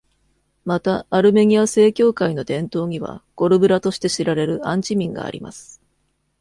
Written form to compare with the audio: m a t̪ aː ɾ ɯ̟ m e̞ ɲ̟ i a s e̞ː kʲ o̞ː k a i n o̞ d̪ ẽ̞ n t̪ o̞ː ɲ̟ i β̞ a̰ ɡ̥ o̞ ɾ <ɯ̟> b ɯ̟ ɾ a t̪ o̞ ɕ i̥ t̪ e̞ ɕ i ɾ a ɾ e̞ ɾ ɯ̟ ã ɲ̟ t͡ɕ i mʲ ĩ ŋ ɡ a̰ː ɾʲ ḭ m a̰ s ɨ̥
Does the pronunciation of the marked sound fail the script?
no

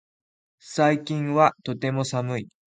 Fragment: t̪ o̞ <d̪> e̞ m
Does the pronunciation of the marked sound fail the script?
yes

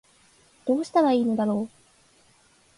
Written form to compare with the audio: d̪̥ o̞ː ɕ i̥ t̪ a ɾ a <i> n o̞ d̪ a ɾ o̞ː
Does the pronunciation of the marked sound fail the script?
yes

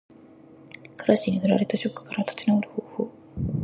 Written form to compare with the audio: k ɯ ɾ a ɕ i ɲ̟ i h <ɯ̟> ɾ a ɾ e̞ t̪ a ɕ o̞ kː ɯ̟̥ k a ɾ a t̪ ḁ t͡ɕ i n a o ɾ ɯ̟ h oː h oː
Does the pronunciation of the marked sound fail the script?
no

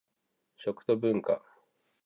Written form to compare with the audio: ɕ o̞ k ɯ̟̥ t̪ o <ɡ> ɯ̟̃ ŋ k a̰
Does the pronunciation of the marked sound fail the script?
yes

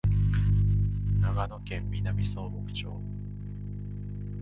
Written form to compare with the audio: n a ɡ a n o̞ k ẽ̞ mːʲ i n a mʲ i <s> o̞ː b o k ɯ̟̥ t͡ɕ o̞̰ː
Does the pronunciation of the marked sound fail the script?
no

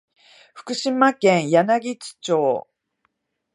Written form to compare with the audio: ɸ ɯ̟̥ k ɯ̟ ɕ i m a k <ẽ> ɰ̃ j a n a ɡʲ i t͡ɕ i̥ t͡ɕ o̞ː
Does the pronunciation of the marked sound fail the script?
no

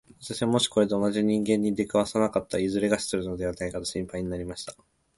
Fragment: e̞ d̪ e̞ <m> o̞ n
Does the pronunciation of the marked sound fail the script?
yes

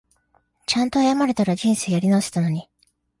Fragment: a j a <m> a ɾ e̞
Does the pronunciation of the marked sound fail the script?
no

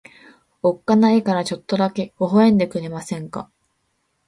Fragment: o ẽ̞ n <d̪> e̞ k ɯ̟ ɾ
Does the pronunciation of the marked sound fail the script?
no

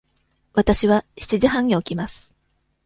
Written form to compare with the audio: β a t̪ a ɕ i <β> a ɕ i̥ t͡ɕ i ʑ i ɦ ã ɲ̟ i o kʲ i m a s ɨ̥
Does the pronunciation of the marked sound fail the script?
no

